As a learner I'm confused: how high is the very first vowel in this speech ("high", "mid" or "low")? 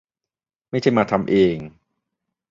low